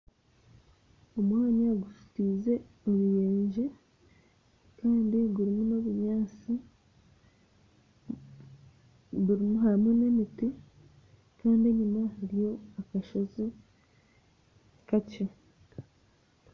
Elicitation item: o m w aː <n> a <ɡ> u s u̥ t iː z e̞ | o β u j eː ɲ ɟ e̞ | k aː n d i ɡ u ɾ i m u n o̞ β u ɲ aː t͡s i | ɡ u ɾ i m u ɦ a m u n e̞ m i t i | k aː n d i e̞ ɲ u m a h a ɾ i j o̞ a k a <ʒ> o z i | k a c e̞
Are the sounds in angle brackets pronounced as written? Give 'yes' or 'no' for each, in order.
no, yes, no

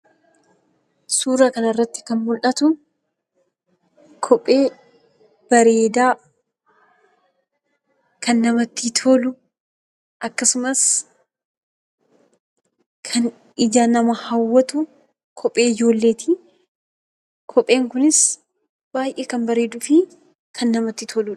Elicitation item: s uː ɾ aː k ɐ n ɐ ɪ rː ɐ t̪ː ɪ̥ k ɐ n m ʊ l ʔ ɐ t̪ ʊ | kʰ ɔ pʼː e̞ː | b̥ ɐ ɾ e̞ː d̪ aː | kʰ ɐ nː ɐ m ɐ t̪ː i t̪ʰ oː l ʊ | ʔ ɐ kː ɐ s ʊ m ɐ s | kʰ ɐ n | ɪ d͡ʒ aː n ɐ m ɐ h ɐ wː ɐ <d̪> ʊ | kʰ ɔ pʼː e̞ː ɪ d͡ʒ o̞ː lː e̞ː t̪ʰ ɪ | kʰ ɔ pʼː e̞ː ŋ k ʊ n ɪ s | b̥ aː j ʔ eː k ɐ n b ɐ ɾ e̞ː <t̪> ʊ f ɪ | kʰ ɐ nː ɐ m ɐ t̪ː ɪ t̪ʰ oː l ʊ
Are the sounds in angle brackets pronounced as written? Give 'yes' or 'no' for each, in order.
no, no

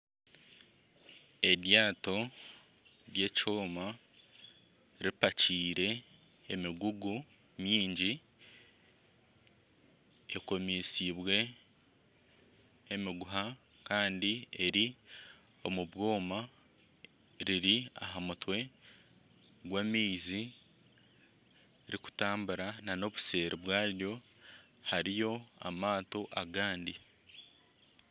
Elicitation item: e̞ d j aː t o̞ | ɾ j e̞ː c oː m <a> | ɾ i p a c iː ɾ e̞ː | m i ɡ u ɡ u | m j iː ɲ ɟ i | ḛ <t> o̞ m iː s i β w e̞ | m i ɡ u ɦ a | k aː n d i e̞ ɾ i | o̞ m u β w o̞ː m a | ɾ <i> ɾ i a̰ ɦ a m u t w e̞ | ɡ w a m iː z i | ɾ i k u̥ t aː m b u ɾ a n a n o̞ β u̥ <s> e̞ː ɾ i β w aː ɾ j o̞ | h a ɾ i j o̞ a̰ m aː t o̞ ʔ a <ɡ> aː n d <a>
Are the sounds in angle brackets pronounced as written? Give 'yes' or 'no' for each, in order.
yes, no, yes, yes, yes, no

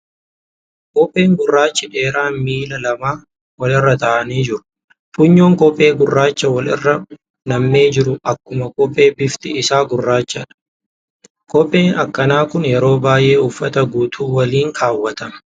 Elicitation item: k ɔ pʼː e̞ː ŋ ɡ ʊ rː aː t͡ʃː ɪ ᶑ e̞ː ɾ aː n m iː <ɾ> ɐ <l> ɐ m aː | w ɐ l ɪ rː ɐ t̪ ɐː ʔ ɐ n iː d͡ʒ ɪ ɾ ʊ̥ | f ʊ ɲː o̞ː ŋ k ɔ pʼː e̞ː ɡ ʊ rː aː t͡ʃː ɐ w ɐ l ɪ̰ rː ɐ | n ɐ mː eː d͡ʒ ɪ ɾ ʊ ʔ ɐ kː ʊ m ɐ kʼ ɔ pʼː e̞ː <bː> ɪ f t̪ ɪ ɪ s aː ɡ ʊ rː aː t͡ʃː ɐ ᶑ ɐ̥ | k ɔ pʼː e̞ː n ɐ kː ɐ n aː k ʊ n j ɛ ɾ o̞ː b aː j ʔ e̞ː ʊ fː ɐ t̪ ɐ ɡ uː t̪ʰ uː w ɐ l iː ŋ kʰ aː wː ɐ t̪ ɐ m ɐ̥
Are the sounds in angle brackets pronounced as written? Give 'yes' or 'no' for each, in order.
no, yes, no

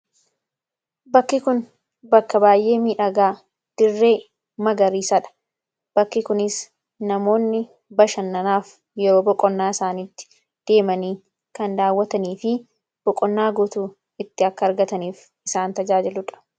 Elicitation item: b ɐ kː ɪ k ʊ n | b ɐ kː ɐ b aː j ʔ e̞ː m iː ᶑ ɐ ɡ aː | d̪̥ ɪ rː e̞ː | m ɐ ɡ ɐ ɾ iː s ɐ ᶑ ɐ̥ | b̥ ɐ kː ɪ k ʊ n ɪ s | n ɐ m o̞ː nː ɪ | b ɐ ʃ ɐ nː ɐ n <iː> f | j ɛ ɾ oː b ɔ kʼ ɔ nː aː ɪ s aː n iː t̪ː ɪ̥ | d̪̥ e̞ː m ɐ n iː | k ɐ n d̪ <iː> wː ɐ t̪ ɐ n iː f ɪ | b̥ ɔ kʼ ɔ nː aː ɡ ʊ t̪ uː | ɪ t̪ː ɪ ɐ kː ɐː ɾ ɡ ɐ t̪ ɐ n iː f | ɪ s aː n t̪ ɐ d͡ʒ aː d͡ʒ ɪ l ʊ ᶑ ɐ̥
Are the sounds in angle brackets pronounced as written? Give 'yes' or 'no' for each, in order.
no, no

